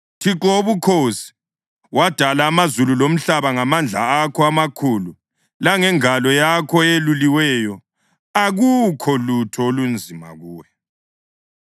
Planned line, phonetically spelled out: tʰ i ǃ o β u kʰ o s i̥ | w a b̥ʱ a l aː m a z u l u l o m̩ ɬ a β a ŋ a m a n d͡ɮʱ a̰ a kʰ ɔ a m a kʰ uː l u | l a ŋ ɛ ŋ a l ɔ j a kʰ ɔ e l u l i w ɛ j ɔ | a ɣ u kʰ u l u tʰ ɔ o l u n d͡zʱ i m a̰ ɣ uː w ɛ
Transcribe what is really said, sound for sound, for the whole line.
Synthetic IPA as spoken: tʰ i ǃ o β u kʰ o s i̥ | w a d̥ʱ a l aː m a z u l u l o m̩ ɬ a β a ŋ a m a n d͡ɮʱ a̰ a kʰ ɔ a m a kʰ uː l u | l a ŋ ɛ ŋ a l ɔ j a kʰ ɔ e l u l i w ɛ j ɔ | a ɣ u kʰ ɔ l u tʰ ɔ o l u n d͡zʱ i m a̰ ɣ uː w ɛ

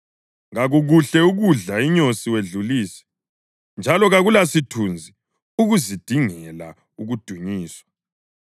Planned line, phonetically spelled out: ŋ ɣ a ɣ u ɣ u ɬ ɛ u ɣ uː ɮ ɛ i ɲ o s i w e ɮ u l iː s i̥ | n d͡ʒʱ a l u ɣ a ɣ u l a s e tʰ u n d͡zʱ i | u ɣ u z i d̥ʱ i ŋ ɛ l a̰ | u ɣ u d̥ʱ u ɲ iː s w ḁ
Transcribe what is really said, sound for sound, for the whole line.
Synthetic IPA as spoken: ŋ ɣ a ɣ u ɣ u ɬ ɛ u ɣ u ɮ a i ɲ o s i w e ɮ u l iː s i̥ | n d͡ʒʱ a l ɔ ɣ a ɣ u l a s i tʰ u n d͡zʱ i | u ɣ u z i d̥ʱ i ŋ ɛ l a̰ | u ɣ u d̥ʱ u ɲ iː s w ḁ

